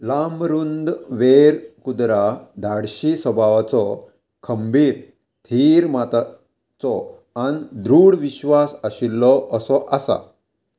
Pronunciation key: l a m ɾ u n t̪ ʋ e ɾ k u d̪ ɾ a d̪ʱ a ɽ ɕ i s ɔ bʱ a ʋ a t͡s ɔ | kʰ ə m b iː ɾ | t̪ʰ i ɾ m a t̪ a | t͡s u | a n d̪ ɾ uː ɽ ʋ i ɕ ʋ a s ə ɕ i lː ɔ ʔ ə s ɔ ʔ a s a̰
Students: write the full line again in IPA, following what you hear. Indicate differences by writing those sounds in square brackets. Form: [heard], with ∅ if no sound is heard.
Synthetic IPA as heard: l a m ɾ u n [d̪] ʋ e ɾ k u d̪ ɾ a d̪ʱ a ɽ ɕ i s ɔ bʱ a ʋ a t͡s ɔ | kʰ ə m b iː ɾ | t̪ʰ i ɾ m a t̪ a | t͡s [ɔ] | a n d̪ ɾ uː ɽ ʋ i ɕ ʋ a s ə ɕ i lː ɔ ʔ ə s ɔ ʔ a s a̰